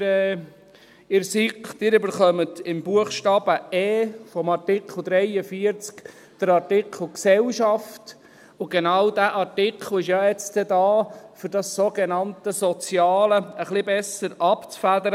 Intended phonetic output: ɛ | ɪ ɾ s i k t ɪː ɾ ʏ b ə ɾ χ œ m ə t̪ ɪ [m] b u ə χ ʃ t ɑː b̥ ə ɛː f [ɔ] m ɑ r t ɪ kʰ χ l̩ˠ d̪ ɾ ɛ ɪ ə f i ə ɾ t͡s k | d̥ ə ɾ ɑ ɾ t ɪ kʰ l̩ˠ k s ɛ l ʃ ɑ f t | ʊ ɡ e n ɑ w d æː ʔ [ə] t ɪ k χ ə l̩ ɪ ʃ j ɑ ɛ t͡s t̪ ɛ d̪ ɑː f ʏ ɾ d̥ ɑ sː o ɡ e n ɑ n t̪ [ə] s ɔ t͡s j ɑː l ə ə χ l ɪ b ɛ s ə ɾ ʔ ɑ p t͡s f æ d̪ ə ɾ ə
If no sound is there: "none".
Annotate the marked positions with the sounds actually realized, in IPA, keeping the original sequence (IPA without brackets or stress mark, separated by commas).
m, ɔ, ɑ, ə